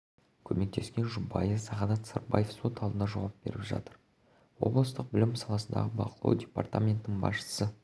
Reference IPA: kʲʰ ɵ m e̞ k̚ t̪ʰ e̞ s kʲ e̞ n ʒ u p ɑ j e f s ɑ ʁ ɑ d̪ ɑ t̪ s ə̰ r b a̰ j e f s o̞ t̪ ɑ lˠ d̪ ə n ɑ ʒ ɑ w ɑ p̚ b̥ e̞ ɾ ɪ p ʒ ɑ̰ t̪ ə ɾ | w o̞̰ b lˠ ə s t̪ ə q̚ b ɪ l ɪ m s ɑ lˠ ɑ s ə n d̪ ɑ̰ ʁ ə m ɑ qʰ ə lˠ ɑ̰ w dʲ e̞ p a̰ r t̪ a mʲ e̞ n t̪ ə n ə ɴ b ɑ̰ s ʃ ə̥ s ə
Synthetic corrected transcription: kʲʰ ɵ m e̞ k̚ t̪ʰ e̞ s kʲ e̞ n ʒ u b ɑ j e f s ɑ ʁ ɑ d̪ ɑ t̪ s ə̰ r b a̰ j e f s o̞ t̪ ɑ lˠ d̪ ə n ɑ ʒ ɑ w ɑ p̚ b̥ e̞ ɾ ɪ p ʒ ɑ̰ t̪ ə ɾ | w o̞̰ b lˠ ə s t̪ ə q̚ b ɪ l ɪ m s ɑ lˠ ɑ s ə n d̪ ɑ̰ ʁ ə b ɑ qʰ ə lˠ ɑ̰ w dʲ e̞ p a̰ r t̪ a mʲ e̞ n t̪ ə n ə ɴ b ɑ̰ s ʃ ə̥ s ə